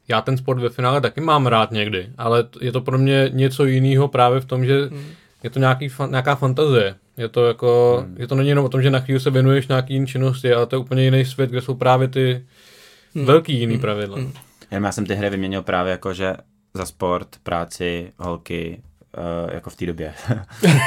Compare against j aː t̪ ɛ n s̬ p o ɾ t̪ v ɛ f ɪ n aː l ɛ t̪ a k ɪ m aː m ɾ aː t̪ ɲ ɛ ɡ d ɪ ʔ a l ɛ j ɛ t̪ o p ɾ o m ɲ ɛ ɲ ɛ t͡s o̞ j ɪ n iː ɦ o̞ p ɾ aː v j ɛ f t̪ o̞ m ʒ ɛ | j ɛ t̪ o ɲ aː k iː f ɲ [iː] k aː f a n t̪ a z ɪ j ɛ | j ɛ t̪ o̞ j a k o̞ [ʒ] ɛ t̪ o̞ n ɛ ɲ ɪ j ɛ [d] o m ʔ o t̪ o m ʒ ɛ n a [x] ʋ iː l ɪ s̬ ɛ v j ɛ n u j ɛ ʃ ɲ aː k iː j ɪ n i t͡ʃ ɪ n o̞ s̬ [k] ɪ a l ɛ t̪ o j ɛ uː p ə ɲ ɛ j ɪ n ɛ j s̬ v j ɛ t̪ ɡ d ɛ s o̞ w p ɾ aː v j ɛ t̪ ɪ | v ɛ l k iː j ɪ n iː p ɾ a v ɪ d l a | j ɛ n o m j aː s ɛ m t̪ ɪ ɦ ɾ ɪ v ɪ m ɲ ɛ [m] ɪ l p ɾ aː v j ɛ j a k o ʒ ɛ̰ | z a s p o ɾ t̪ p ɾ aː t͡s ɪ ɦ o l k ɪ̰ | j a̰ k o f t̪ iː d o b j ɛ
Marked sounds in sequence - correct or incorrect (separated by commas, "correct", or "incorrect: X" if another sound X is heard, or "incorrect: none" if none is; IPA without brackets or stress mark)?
incorrect: aː, correct, incorrect: n, correct, incorrect: c, incorrect: ɲ